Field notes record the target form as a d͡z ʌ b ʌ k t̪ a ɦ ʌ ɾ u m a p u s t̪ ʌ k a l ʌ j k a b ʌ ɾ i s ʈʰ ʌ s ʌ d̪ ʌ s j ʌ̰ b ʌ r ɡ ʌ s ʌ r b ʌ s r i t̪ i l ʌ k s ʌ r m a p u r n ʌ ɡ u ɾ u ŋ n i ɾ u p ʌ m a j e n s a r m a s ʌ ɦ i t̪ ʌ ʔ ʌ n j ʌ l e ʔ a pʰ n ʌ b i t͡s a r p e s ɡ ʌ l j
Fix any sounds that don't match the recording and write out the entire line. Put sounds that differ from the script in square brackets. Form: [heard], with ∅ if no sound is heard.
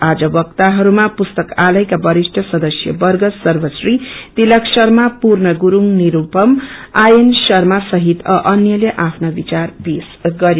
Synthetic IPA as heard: a d͡z ʌ b ʌ k t̪ a ɦ ʌ ɾ u m a p u s t̪ ʌ k a l ʌ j k a b ʌ ɾ i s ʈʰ ʌ s ʌ d̪ ʌ s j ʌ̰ b ʌ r ɡ ʌ s ʌ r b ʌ s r i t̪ i l ʌ k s ʌ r m a p u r n ʌ ɡ u ɾ u ŋ n i ɾ u p ʌ m a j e n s [ʌ] r m a s ʌ ɦ i t̪ ʌ ʔ ʌ n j ʌ l e ʔ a pʰ n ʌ b i t͡s a r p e s ɡ ʌ [ɾ] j